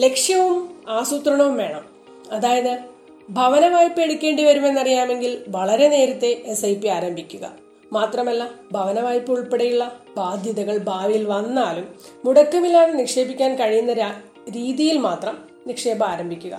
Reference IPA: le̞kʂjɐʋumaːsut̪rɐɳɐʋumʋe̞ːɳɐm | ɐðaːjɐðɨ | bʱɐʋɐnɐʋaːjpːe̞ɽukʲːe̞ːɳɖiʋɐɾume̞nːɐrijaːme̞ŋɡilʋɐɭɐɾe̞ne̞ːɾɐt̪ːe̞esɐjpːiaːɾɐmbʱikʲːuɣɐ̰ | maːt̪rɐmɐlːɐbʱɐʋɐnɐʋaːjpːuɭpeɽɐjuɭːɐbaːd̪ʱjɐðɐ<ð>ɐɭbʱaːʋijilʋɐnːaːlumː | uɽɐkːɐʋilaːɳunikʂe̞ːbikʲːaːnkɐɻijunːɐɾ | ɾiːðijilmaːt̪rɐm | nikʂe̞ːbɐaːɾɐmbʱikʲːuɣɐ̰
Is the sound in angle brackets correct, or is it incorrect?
incorrect